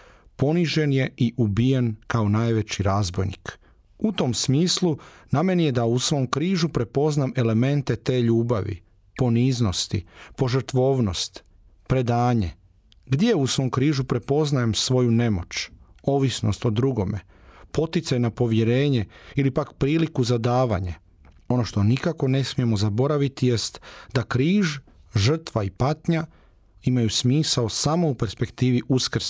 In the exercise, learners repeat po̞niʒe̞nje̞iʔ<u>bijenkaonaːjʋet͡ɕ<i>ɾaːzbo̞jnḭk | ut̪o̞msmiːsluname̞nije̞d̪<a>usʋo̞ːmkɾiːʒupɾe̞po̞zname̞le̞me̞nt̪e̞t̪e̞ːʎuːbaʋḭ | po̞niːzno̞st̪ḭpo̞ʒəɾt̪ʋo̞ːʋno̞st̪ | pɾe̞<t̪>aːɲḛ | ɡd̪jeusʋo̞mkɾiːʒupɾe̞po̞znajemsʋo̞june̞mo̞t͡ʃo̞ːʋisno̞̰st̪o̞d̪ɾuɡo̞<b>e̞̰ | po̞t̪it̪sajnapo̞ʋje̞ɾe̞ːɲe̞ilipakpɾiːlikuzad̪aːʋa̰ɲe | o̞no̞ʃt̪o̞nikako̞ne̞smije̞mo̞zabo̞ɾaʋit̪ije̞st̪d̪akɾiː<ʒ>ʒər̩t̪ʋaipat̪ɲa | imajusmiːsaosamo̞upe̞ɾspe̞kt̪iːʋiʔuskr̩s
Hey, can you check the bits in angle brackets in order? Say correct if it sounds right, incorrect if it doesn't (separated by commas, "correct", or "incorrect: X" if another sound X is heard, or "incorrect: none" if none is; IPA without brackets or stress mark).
correct, correct, correct, incorrect: d̪, incorrect: m, correct